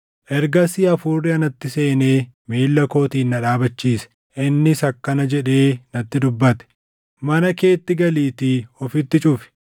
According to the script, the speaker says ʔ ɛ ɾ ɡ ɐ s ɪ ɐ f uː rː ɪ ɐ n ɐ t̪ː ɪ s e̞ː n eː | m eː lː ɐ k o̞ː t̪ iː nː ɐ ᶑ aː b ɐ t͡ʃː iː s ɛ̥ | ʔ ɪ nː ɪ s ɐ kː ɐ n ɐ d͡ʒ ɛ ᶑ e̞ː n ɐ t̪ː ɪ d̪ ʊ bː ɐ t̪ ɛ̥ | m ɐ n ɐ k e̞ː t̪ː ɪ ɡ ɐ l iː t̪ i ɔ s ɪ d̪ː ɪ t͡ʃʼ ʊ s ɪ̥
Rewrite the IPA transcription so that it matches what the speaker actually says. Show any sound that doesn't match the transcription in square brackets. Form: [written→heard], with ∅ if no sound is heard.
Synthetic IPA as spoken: ʔ ɛ ɾ ɡ ɐ s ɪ ɐ f uː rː ɪ ɐ n ɐ t̪ː ɪ s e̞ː n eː | m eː lː ɐ k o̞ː t̪ iː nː ɐ ᶑ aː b ɐ t͡ʃː iː s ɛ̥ | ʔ ɪ nː ɪ s ɐ kː ɐ n ɐ d͡ʒ ɛ ᶑ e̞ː n ɐ t̪ː ɪ d̪ ʊ bː ɐ t̪ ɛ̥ | m ɐ n ɐ k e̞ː t̪ː ɪ ɡ ɐ l iː t̪ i ɔ [s→f] ɪ [d̪ː→t̪ː] ɪ t͡ʃʼ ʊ [s→f] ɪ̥

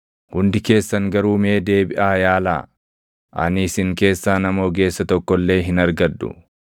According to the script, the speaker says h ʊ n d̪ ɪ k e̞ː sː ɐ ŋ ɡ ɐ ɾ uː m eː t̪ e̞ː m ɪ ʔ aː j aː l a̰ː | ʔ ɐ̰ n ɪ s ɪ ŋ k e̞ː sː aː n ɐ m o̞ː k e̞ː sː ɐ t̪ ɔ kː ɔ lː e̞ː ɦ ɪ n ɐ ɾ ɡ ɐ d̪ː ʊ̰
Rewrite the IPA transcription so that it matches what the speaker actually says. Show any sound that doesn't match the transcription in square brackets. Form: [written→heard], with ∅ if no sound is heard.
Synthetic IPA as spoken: h ʊ n d̪ ɪ k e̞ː sː ɐ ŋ ɡ ɐ ɾ uː m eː [t̪→d̪] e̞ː [m→b] ɪ ʔ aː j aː l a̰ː | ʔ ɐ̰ n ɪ s ɪ ŋ k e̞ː sː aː n ɐ m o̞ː [k→ɡ] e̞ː sː ɐ t̪ ɔ kː ɔ lː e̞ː ɦ ɪ n ɐ ɾ ɡ ɐ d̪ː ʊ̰

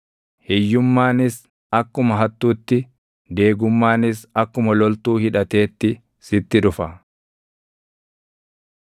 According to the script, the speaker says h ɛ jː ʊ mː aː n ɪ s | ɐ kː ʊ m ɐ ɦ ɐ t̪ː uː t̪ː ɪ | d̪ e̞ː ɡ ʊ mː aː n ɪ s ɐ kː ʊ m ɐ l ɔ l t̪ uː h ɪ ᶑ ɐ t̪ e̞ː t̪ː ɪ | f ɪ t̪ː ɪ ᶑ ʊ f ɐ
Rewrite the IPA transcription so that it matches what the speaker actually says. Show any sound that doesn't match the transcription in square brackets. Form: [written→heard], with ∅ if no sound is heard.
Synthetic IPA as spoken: h ɛ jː ʊ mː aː n ɪ s | ɐ kː ʊ m ɐ ɦ ɐ t̪ː uː t̪ː ɪ | d̪ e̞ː ɡ ʊ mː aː n ɪ s ɐ kː ʊ m ɐ l ɔ l t̪ uː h ɪ ᶑ ɐ t̪ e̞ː t̪ː ɪ | [f→s] ɪ t̪ː ɪ ᶑ ʊ f ɐ

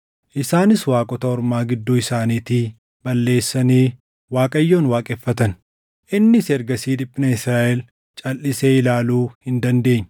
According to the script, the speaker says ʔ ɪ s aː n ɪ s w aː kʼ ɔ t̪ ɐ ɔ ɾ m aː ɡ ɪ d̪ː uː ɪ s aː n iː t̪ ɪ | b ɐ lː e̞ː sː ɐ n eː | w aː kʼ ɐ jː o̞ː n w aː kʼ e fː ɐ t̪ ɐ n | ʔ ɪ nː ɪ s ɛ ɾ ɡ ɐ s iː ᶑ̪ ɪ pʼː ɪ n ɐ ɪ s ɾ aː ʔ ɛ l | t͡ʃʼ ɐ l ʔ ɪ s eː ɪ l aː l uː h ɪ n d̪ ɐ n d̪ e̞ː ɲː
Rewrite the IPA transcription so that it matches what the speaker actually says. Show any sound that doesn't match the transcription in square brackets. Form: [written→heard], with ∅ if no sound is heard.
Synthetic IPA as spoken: ʔ ɪ s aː n ɪ s w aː kʼ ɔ t̪ ɐ ɔ ɾ m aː ɡ ɪ d̪ː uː ɪ s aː n iː t̪ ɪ | b ɐ lː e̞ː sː ɐ n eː | w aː kʼ ɐ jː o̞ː n w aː kʼ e fː ɐ t̪ ɐ n | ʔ ɪ nː ɪ s ɛ ɾ ɡ ɐ s iː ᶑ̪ ɪ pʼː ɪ n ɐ ɪ s ɾ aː ʔ ɛ l | t͡ʃʼ ɐ l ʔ ɪ s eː ɪ l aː l uː h ɪ n d̪ ɐ n d̪ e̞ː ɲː

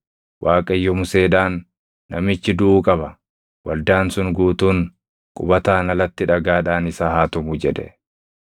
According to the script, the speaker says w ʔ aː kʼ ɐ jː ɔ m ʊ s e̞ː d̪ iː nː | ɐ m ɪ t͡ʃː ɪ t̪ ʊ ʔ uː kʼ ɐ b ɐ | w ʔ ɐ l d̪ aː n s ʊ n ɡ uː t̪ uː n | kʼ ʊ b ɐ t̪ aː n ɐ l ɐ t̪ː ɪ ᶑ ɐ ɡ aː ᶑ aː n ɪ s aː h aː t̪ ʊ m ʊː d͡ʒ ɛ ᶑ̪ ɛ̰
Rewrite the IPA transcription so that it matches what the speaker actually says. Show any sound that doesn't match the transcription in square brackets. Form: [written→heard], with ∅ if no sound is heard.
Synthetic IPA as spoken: w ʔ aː kʼ ɐ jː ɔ m ʊ s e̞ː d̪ [iː→aː] nː | ɐ m ɪ t͡ʃː ɪ [t̪→d̪] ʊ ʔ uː kʼ ɐ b ɐ | w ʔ ɐ l d̪ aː n s ʊ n ɡ uː t̪ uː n | kʼ ʊ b ɐ t̪ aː n ɐ l ɐ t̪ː ɪ ᶑ ɐ ɡ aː ᶑ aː n ɪ s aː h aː t̪ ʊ m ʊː d͡ʒ ɛ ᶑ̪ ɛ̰

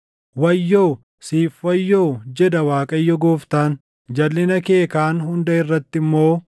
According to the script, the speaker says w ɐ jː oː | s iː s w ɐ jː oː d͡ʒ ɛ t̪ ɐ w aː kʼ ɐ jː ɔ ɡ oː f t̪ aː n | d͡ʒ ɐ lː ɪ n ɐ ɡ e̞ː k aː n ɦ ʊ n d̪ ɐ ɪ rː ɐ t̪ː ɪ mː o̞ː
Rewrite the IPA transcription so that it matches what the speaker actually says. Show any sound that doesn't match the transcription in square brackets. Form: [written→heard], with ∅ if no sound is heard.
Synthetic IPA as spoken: w ɐ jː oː | s iː [s→f] w ɐ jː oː d͡ʒ ɛ [t̪→d̪] ɐ w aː kʼ ɐ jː ɔ ɡ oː f t̪ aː n | d͡ʒ ɐ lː ɪ n ɐ [ɡ→k] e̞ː k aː n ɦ ʊ n d̪ ɐ ɪ rː ɐ t̪ː ɪ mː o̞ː

